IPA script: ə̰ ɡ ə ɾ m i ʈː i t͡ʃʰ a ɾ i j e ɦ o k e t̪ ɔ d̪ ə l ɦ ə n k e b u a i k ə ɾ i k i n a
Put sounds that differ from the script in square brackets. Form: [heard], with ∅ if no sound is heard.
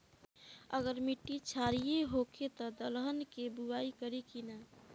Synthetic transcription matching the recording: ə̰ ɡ ə ɾ m i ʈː i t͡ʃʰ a ɾ i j e ɦ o k e t̪ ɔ d̪ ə l ɦ ə n k e b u a i k ə ɾ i k i n a